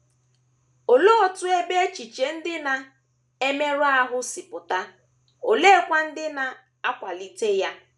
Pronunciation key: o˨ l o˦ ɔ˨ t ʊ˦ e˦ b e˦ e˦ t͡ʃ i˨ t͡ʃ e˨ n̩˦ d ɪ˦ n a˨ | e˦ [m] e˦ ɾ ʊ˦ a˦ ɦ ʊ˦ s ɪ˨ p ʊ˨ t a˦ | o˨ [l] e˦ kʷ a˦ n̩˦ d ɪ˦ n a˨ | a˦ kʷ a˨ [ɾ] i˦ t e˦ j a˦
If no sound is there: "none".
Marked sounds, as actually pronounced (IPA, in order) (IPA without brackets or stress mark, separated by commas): m, l, l